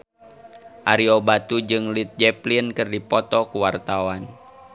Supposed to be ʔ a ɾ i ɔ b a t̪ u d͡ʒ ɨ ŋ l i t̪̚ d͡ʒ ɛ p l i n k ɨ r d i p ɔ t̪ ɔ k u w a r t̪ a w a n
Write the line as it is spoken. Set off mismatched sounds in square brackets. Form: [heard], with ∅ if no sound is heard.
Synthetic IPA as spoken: ʔ a ɾ i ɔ b a t̪ u d͡ʒ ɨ ŋ l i t̪̚ d͡ʒ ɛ p l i n k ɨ r d i p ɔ t̪ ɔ k u w a r t̪ a w a n

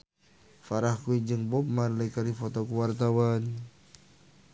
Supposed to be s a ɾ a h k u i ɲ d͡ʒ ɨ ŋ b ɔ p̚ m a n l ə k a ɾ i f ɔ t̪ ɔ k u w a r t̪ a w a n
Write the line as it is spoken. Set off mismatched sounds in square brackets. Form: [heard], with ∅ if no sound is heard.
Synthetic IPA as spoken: [f] a ɾ a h k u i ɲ d͡ʒ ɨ ŋ b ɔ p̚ m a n l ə k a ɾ i f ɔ t̪ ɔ k u w a r t̪ a w a n

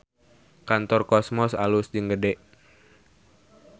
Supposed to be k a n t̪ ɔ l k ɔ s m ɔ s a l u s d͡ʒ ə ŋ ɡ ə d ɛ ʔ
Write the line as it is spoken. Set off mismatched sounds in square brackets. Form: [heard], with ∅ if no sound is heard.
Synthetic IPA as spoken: k a n t̪ ɔ [r] k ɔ s m ɔ s a l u s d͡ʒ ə ŋ ɡ ə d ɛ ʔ

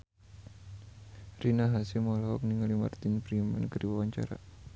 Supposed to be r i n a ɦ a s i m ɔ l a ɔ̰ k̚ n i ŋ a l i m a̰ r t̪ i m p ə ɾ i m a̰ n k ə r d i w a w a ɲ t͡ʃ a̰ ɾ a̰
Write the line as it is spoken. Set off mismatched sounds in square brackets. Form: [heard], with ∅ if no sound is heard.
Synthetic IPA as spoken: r i n a ɦ a s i m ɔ l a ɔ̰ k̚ n i ŋ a l i m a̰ r t̪ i [n] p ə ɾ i m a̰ n k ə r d i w a w a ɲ t͡ʃ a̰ ɾ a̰

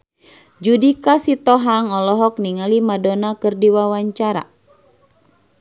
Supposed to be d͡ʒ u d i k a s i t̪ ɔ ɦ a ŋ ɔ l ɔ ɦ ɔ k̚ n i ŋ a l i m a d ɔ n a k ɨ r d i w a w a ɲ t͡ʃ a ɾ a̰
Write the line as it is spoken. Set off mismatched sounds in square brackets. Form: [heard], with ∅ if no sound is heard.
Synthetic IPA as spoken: d͡ʒ u d i k a s i t̪ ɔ ɦ a ŋ ɔ l ɔ ɦ ɔ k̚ n i ŋ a l i m a d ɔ n a k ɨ r d i w a w a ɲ t͡ʃ a ɾ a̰

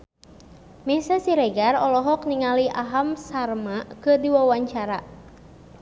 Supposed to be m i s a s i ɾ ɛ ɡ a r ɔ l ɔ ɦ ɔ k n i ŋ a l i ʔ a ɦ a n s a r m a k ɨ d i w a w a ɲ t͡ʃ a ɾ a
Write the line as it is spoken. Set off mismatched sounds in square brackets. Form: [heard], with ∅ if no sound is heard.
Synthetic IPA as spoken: m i s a s i ɾ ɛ ɡ a r ɔ l ɔ ɦ ɔ k n i ŋ a l i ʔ a ɦ a [m] s a r m a k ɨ d i w a w a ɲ t͡ʃ a ɾ a

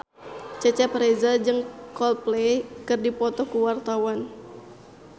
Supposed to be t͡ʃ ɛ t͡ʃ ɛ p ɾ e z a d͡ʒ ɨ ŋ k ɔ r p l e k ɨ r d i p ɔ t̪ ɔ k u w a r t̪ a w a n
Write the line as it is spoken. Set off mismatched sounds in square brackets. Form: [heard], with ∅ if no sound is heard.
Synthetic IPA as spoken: t͡ʃ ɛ t͡ʃ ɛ p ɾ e z a d͡ʒ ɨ ŋ k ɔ [l] p l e k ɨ r d i p ɔ t̪ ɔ k u w a r t̪ a w a n

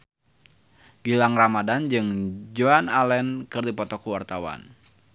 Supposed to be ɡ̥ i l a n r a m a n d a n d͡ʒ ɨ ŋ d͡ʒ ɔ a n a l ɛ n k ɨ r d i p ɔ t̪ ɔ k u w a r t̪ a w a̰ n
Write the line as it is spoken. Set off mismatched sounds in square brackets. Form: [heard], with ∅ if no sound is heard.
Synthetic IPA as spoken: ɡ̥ i l a [ŋ] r a m a [∅] d a n d͡ʒ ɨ ŋ d͡ʒ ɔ a n a l ɛ n k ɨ r d i p ɔ t̪ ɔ k u w a r t̪ a w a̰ n

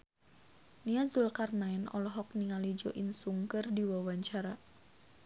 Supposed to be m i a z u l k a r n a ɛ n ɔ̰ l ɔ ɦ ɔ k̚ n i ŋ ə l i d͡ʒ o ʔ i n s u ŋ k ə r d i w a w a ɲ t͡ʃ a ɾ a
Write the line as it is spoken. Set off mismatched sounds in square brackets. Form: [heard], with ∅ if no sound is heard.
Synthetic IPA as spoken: [n] i a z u l k a r n a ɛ n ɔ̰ l ɔ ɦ ɔ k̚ n i ŋ [a] l i d͡ʒ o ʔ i n s u ŋ k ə r d i w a w a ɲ t͡ʃ a ɾ a

